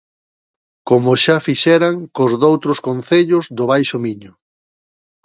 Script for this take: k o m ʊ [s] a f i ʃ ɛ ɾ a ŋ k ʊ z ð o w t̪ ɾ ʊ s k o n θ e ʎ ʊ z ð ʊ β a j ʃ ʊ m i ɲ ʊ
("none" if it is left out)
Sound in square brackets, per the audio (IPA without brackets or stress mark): ʃ